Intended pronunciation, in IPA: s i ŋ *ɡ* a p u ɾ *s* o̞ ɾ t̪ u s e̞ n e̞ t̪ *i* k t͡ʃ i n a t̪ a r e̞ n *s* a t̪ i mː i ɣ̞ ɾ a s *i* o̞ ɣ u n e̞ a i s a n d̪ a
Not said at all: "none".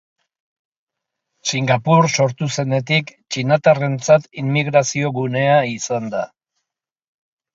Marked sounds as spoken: ɡ, s, i, t͡s, i

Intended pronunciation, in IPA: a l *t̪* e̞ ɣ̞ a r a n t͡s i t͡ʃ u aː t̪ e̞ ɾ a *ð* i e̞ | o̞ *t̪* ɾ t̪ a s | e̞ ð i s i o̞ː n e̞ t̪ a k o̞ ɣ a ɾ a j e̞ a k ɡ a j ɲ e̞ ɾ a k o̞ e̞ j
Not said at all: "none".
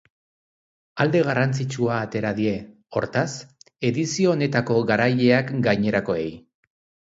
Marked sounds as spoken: d̪, ð, none

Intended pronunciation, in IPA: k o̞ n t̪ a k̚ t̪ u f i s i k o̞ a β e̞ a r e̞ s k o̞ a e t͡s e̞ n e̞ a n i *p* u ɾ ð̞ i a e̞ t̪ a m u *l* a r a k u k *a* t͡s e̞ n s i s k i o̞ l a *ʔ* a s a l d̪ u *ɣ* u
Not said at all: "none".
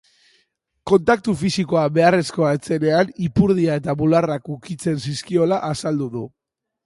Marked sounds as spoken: p, l, i, ʔ, ð

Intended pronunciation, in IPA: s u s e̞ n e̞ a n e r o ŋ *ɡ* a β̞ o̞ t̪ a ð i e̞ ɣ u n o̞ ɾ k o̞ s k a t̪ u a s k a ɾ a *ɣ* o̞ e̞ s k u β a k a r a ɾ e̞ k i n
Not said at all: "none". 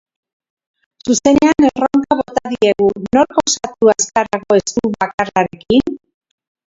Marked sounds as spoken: k, ɣ

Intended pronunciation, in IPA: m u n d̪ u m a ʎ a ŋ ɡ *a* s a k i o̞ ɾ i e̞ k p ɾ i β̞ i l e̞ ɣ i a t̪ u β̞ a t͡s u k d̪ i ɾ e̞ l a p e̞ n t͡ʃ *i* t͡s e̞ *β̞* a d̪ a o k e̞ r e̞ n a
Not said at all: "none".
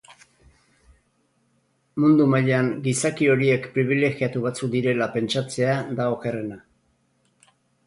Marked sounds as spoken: i, a, none

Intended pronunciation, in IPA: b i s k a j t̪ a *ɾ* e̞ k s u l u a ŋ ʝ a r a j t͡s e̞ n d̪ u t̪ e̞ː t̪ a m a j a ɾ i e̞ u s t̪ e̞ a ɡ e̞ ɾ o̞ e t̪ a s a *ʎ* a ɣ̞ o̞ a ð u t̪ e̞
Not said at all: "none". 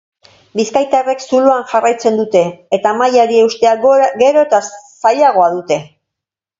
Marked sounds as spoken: r, ʎ

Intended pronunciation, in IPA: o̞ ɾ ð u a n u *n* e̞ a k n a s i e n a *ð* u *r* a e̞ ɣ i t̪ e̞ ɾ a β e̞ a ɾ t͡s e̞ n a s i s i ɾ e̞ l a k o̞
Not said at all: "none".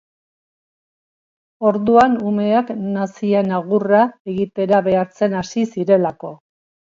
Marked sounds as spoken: m, ɣ, r

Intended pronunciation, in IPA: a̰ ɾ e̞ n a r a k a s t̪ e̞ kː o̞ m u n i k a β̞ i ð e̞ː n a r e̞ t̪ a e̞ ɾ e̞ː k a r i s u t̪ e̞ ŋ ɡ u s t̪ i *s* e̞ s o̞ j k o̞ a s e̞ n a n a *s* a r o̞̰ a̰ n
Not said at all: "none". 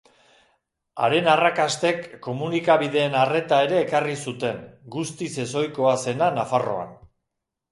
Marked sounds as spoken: s, f

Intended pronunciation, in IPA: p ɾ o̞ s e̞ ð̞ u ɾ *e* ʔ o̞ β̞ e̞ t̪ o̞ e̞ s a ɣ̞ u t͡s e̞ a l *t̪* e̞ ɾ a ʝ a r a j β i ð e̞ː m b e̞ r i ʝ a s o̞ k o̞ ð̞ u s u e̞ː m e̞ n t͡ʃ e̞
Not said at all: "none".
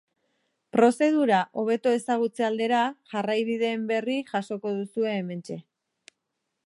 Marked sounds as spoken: a, d̪

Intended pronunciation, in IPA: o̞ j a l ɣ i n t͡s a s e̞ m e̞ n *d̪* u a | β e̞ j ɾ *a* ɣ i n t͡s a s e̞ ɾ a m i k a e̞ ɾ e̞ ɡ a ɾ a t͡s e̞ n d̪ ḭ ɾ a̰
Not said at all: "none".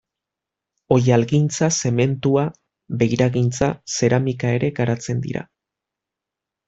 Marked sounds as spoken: t̪, a

